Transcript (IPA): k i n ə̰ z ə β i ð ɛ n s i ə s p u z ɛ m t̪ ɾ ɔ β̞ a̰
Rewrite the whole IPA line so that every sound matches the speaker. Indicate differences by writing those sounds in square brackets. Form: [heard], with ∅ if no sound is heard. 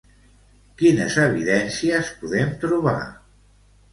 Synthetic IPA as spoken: k i n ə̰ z ə β i ð ɛ n s i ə s p u [ð] ɛ m t̪ ɾ [u] β̞ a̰